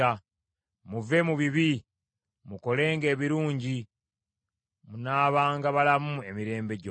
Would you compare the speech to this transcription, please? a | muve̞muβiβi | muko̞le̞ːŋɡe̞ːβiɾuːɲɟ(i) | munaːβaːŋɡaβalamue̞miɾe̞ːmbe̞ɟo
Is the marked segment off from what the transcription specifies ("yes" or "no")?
no